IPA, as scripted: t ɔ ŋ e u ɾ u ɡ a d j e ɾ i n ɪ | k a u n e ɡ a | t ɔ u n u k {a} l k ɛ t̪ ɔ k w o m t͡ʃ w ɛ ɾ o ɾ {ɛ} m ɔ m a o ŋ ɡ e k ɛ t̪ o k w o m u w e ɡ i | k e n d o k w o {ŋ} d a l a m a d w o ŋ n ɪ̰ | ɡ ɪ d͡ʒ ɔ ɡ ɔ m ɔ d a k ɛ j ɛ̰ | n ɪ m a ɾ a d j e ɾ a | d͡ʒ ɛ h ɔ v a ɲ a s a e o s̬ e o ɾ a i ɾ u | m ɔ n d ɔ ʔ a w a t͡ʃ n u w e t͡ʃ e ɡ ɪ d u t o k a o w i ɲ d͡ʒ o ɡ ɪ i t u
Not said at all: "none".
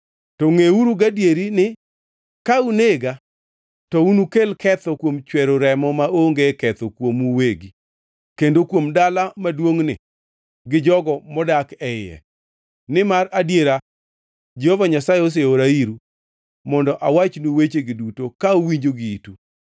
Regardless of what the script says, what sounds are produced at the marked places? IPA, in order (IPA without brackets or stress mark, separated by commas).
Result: e, ɛ, m